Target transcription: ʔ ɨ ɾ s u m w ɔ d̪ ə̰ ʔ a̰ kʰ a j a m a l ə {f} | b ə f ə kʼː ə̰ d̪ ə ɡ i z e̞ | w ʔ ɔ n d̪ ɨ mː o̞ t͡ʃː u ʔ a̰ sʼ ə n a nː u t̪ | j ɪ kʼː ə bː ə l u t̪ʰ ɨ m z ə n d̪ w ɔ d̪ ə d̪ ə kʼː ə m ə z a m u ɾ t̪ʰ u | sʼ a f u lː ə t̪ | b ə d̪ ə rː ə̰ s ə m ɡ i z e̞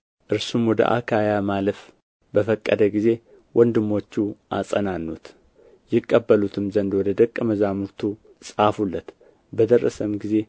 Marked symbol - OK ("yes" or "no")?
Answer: yes